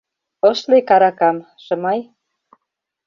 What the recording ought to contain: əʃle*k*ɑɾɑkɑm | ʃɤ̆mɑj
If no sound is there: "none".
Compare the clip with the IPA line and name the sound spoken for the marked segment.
k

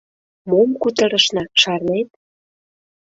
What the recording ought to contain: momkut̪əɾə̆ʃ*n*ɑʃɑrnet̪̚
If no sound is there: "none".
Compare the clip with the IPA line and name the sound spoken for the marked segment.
n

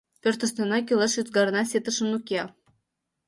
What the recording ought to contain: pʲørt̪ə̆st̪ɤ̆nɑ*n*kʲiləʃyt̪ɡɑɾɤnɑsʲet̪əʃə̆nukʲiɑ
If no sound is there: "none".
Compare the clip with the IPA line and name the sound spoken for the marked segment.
none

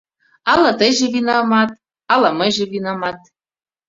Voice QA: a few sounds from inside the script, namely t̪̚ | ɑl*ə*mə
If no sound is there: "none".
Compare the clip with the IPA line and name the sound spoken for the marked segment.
ɑ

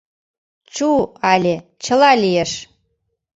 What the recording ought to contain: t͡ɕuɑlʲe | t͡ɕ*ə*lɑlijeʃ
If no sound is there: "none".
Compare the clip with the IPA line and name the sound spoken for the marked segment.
ə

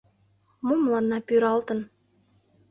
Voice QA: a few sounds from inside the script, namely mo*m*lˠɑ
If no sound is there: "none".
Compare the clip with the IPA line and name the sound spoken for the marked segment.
m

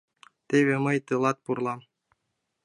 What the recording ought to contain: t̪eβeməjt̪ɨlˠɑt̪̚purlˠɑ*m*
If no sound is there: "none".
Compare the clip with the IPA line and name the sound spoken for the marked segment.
m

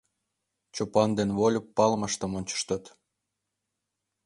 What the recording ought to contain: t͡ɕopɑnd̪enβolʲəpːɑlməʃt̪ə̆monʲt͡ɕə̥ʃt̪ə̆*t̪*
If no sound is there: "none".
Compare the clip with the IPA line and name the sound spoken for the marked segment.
t̪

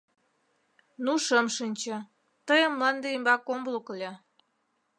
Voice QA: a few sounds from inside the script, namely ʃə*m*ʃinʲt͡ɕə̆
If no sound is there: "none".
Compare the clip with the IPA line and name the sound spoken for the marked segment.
m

